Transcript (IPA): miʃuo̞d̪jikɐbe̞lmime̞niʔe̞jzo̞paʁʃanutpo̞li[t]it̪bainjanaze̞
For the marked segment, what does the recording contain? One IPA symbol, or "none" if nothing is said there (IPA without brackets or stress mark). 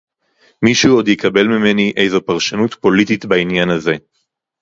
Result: t